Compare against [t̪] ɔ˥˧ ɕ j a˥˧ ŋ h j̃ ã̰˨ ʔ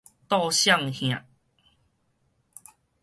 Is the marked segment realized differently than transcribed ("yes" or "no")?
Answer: no